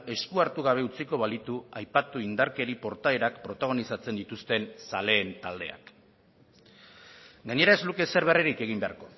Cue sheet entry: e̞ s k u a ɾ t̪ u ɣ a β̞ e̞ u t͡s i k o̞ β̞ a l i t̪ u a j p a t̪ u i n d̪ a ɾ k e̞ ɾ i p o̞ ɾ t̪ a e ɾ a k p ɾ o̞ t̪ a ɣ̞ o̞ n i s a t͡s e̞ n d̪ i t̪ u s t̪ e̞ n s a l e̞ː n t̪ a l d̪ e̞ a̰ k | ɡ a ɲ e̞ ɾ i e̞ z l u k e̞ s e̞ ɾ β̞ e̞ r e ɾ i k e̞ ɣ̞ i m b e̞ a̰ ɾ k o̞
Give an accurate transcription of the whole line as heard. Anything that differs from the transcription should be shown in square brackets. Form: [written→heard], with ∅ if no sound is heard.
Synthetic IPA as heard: e̞ s k u a ɾ t̪ u ɣ a β̞ e̞ u t͡s i k o̞ β̞ a l i t̪ u a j p a t̪ u i n d̪ a ɾ k e̞ ɾ i p o̞ ɾ t̪ a e ɾ a k p ɾ o̞ t̪ a ɣ̞ o̞ n i s a t͡s e̞ n d̪ i t̪ u s t̪ e̞ n s a l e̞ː n t̪ a l d̪ e̞ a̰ k | ɡ a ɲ e̞ ɾ [i→a] e̞ z l u k e̞ s e̞ ɾ β̞ e̞ r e ɾ i k e̞ ɣ̞ i m b e̞ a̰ ɾ k o̞